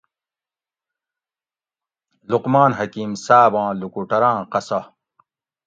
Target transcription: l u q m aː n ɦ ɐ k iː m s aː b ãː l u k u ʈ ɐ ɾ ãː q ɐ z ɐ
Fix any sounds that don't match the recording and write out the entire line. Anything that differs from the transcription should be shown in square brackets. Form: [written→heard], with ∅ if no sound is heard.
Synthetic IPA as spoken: l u q m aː n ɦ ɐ k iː m s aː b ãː l u k u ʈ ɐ ɾ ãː q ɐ [z→s] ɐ